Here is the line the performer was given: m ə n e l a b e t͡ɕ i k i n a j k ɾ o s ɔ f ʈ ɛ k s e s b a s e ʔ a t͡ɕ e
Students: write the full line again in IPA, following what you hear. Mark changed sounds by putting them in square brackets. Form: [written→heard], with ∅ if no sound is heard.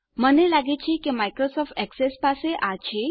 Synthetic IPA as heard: m ə n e l a [b→ɡ] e t͡ɕ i k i [n→m] a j k ɾ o s ɔ f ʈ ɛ k s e s [b→p] a s e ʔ a t͡ɕ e